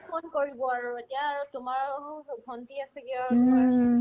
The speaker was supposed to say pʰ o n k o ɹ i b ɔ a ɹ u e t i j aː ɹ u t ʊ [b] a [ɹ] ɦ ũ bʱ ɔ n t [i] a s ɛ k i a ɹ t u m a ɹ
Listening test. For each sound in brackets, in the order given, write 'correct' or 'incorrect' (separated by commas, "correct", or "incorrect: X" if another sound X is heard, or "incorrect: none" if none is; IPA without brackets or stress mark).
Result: incorrect: m, correct, correct